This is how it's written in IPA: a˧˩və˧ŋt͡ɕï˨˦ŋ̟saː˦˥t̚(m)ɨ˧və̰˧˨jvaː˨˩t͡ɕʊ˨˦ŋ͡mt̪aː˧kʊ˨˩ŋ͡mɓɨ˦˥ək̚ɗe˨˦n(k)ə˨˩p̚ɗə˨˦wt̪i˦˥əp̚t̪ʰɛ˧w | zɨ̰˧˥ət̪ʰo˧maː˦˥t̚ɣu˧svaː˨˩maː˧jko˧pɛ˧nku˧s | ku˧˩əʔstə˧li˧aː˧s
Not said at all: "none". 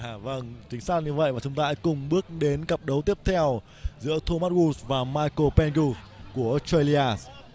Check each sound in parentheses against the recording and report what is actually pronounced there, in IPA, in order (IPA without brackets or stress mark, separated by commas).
ɲ, k